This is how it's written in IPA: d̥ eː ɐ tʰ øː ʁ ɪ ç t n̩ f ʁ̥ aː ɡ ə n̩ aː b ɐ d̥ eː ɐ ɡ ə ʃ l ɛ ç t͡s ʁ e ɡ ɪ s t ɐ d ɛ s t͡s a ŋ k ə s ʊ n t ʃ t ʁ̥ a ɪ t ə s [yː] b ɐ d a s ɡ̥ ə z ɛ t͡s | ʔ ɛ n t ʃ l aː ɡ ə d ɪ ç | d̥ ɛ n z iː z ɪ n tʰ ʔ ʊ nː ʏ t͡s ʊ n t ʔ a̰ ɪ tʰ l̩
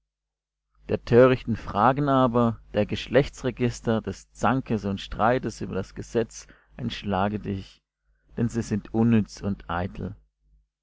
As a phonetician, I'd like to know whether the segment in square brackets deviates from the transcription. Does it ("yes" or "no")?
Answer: no